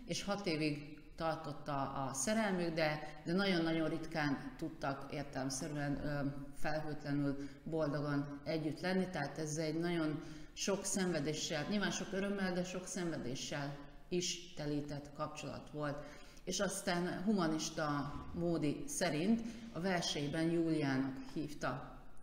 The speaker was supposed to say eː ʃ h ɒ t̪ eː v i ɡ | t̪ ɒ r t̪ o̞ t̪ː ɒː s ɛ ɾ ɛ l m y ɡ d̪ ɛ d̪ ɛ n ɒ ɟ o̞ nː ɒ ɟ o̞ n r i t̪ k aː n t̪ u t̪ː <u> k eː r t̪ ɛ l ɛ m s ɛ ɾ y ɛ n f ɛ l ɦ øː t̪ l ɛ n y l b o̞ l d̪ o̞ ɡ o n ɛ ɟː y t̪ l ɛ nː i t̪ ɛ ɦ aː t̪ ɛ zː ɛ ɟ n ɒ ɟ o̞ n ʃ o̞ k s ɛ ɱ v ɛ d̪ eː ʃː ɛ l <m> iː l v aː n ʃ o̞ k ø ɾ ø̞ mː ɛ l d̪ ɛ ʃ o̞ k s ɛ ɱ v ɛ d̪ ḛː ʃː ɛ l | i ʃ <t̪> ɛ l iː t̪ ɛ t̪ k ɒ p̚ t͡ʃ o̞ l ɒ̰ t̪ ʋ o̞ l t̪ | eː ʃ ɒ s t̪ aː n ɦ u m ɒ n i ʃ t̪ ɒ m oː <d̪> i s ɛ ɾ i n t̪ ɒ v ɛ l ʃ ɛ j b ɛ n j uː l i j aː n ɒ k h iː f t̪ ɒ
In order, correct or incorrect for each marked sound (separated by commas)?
incorrect, incorrect, correct, correct